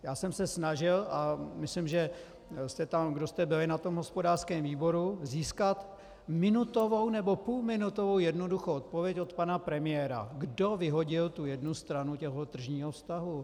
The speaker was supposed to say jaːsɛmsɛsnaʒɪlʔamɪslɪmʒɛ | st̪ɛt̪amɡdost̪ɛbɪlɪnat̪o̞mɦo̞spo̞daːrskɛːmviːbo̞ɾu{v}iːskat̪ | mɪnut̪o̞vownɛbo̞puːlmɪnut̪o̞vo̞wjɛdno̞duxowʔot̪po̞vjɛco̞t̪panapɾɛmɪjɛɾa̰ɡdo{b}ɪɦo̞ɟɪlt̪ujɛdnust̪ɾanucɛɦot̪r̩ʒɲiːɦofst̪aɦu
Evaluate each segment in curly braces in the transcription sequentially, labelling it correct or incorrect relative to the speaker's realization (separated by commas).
incorrect, incorrect